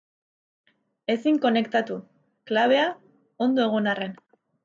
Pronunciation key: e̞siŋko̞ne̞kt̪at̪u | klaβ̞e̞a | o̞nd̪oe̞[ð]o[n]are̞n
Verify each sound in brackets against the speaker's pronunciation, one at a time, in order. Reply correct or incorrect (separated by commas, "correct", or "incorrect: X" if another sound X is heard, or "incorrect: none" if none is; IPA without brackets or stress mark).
incorrect: ɣ, correct